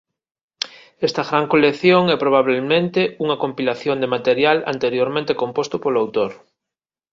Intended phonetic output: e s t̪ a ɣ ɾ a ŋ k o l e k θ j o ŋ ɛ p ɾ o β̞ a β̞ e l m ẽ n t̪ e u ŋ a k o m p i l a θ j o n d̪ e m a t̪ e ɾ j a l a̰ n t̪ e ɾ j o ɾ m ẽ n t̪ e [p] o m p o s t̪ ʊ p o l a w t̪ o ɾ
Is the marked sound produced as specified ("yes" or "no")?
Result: no